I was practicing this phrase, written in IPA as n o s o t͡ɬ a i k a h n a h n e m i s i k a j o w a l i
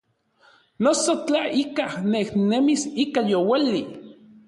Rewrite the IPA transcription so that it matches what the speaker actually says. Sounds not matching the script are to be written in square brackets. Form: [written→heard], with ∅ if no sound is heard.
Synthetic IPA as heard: n o s o t͡ɬ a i k a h n [a→e] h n e m i s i k a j o w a l i